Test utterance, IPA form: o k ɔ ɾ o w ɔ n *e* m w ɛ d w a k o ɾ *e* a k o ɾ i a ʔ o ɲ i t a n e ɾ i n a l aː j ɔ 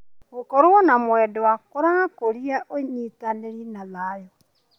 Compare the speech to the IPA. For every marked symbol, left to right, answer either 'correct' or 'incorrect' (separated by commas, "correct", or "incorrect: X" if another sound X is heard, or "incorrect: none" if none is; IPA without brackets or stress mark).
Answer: incorrect: a, incorrect: a